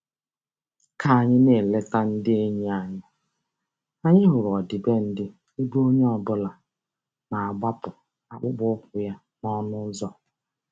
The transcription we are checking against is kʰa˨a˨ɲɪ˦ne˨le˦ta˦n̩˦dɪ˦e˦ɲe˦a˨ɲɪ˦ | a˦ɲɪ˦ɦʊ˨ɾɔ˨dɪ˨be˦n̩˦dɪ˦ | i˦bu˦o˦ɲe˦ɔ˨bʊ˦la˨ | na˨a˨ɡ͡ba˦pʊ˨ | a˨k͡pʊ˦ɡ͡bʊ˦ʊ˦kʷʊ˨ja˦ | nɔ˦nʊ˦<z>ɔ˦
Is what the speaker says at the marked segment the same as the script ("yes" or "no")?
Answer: yes